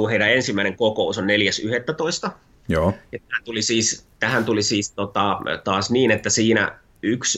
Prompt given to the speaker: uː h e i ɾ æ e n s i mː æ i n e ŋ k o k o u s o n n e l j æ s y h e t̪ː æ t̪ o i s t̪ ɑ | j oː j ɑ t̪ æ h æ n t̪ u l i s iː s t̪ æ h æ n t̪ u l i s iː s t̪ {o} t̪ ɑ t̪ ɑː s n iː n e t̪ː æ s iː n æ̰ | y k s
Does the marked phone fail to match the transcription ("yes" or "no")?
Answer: no